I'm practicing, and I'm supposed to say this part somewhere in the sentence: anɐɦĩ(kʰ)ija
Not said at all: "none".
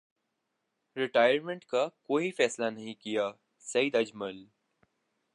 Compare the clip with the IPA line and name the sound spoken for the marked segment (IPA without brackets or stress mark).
k